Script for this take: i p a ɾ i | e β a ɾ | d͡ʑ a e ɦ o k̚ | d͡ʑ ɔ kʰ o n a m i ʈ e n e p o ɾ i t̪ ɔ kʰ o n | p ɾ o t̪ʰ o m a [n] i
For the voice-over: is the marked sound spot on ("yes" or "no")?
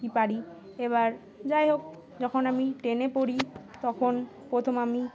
no